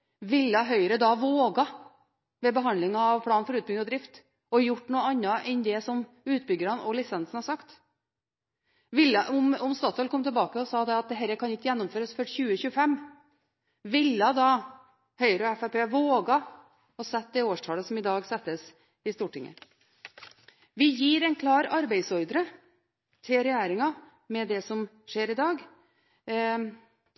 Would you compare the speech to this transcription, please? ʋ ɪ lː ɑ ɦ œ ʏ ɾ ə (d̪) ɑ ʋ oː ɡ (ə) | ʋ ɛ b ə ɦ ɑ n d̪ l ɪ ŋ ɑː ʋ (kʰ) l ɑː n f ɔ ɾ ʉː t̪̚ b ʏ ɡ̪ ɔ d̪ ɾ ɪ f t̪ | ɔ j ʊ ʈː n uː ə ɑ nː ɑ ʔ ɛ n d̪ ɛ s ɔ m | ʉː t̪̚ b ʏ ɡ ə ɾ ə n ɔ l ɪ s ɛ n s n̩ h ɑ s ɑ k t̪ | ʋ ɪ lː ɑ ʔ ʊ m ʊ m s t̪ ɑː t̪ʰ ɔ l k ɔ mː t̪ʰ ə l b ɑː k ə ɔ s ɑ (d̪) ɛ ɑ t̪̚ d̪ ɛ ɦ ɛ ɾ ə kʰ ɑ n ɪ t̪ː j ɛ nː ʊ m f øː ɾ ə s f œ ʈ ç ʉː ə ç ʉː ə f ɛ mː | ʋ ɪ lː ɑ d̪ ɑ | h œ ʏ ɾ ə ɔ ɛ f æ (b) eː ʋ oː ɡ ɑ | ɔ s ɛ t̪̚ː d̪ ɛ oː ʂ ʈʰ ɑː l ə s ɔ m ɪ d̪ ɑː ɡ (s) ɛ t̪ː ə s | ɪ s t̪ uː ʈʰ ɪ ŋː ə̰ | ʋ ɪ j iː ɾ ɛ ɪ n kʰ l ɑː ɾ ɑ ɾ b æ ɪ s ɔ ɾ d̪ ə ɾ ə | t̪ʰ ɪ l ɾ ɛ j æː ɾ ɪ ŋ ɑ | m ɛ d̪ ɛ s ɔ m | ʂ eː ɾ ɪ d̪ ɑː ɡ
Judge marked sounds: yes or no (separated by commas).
yes, no, no, yes, no, yes